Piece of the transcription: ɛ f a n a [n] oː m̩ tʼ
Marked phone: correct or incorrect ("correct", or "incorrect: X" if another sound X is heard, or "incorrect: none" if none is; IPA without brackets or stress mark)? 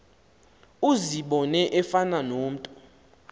correct